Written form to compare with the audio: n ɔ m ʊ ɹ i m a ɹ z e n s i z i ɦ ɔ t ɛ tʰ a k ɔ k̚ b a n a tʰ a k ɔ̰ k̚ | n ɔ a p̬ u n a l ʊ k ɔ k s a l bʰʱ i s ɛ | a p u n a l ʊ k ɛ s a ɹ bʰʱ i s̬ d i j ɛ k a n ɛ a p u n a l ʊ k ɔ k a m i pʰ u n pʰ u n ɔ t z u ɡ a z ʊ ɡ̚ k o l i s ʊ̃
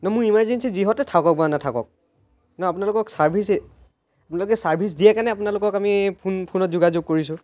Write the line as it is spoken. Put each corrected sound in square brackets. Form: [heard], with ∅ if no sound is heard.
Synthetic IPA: n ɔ m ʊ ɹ i m a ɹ z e n s i z i ɦ ɔ t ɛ tʰ a k ɔ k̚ b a n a tʰ a k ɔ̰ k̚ | n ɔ a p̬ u n a l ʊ k ɔ k s a [ɹ] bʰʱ i s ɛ | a p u n a l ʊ k ɛ s a ɹ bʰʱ i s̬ d i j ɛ k a n ɛ a p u n a l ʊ k ɔ k a m i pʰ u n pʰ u n ɔ t z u ɡ a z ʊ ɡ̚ k o [ɹ] i s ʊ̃

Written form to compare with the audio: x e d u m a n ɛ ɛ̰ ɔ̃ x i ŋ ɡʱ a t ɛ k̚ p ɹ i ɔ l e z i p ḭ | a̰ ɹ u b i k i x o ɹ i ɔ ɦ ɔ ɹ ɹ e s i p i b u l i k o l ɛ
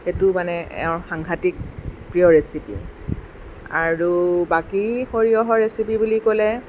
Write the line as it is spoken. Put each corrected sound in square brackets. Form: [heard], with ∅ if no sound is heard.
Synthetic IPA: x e [t] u m a n ɛ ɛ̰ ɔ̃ x [a] ŋ ɡʱ a t [i] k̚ p ɹ i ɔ [ɹ] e [s] i p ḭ | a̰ ɹ u b [a] k i x o ɹ i ɔ ɦ ɔ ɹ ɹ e s i p i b u l i k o l ɛ

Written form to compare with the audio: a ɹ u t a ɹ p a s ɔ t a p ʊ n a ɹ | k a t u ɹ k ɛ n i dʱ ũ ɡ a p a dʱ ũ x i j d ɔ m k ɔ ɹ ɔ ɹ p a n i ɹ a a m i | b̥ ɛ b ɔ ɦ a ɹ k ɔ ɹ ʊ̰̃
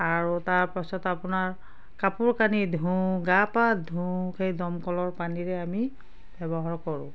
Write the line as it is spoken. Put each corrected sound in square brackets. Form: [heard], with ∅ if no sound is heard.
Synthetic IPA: a ɹ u t a ɹ p a s ɔ t a p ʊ n a ɹ | k a [p] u ɹ k [a] n i dʱ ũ ɡ a p a dʱ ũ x [e] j d ɔ m k ɔ [l] ɔ ɹ p a n i ɹ [ɛ] a m i | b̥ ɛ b ɔ ɦ a ɹ k ɔ ɹ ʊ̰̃

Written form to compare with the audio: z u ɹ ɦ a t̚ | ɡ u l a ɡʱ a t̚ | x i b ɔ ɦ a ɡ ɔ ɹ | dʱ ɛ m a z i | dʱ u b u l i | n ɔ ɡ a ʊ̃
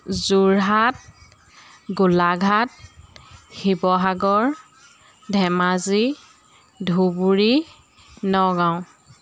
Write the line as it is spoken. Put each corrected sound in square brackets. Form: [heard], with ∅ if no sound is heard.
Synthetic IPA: z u ɹ ɦ a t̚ | ɡ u l a ɡʱ a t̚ | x i b ɔ ɦ a ɡ ɔ ɹ | dʱ ɛ m a z i | dʱ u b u [ɹ] i | n ɔ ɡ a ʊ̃

